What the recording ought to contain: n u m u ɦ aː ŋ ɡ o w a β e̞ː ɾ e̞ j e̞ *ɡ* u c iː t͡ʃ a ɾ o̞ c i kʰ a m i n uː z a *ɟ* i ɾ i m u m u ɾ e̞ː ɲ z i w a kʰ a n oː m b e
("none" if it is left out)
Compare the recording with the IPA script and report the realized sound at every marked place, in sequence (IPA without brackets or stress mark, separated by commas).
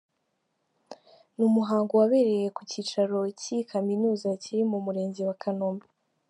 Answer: k, c